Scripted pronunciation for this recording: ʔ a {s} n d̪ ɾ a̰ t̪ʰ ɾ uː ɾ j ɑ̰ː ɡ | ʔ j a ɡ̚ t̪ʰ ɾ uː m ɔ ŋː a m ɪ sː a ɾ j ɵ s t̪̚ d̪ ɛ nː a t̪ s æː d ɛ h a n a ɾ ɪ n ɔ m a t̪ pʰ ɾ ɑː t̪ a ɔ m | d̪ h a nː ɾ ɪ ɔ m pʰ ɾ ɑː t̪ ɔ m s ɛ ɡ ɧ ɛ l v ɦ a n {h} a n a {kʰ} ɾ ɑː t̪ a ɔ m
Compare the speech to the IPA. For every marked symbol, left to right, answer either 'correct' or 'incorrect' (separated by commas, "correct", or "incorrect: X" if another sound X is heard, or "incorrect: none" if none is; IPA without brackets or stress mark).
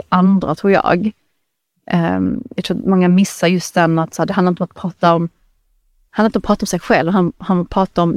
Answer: incorrect: none, correct, incorrect: pʰ